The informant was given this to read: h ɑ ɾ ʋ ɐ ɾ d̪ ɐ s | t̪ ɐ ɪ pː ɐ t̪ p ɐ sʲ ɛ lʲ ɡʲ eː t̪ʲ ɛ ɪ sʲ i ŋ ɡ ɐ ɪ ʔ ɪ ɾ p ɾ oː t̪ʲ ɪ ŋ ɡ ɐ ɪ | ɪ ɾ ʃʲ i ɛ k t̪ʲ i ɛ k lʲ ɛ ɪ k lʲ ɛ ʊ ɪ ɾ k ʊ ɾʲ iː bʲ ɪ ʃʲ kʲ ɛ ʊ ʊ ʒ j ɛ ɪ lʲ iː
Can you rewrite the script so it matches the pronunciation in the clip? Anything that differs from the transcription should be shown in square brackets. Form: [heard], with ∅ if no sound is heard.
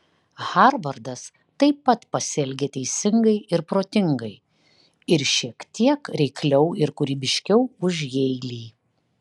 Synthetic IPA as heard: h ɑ ɾ ʋ ɐ ɾ d̪ ɐ s | t̪ ɐ ɪ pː ɐ t̪ p ɐ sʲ ɛ lʲ ɡʲ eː t̪ʲ ɛ ɪ sʲ [ɪ] ŋ ɡ ɐ ɪ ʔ ɪ ɾ p ɾ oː t̪ʲ ɪ ŋ ɡ ɐ ɪ | ɪ ɾ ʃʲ i ɛ k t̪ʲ i ɛ k [ɾʲ] ɛ ɪ k lʲ ɛ ʊ ɪ ɾ k ʊ ɾʲ iː bʲ ɪ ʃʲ kʲ ɛ ʊ ʊ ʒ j ɛ ɪ lʲ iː